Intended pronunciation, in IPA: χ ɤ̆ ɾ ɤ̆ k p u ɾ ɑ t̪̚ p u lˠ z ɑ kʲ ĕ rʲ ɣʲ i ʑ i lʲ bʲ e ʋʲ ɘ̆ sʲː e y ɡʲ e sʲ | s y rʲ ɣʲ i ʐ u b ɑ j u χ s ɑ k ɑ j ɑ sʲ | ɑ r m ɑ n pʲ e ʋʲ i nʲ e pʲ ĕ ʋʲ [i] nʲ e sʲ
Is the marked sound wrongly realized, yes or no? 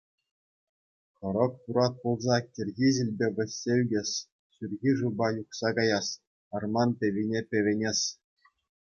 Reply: yes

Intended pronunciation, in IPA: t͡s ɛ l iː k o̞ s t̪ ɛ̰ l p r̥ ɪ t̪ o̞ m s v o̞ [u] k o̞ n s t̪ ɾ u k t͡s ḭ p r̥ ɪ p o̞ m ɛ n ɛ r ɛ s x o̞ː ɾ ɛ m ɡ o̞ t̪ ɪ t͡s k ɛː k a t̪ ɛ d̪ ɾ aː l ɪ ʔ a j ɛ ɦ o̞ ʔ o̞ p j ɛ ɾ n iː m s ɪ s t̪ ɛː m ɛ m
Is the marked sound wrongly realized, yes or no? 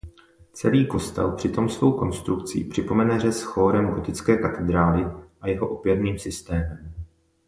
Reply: yes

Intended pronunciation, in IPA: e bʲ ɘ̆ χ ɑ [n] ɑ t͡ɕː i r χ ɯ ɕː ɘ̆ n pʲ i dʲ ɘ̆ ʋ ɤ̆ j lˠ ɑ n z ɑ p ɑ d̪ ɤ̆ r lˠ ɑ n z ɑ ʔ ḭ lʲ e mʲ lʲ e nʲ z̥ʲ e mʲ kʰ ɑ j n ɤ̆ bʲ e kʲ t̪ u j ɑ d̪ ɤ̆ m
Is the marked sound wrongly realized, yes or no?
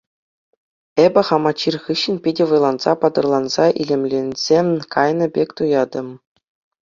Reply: yes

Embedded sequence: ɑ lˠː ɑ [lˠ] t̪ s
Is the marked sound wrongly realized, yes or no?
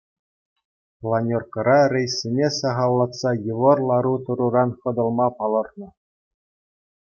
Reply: yes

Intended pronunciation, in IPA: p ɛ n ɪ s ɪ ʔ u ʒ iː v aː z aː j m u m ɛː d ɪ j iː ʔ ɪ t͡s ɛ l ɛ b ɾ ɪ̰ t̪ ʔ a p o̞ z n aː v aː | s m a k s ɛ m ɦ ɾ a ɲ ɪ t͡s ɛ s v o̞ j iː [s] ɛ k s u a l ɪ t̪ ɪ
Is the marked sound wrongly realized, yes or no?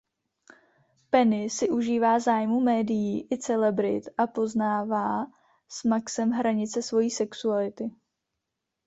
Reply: no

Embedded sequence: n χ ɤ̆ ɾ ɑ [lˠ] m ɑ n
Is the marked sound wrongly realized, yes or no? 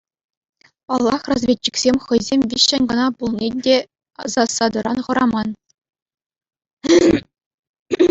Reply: yes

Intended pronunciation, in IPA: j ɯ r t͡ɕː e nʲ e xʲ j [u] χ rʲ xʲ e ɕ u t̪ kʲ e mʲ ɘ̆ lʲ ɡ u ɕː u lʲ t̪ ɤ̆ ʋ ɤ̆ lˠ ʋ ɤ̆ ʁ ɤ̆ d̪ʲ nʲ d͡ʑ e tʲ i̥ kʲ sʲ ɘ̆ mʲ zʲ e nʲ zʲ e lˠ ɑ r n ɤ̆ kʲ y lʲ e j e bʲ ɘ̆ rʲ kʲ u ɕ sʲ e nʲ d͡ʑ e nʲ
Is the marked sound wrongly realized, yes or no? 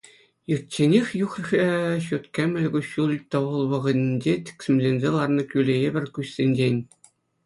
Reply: no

